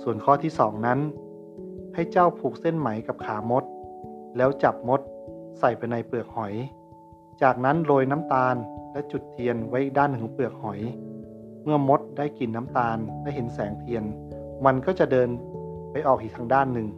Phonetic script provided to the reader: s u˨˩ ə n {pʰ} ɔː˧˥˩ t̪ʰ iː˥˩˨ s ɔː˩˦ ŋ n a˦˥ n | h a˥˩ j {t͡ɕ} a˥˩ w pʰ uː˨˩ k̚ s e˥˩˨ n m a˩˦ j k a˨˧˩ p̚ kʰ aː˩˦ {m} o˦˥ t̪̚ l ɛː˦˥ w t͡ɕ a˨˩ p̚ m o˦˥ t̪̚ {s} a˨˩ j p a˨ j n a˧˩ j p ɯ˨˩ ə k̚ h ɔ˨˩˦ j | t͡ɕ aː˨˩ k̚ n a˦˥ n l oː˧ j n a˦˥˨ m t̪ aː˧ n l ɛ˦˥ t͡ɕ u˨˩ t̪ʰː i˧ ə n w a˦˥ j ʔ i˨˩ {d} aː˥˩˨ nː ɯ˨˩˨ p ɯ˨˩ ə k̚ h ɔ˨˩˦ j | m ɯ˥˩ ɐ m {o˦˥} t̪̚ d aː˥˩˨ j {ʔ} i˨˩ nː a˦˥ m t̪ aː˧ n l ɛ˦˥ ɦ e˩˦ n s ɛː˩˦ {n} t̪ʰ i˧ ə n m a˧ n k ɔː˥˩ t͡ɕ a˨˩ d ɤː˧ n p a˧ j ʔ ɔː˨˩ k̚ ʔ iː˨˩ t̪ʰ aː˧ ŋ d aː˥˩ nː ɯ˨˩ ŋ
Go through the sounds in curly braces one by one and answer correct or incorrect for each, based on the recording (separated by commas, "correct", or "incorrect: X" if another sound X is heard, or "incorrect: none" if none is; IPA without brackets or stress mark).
incorrect: kʰ, correct, correct, correct, correct, correct, incorrect: k, incorrect: ŋ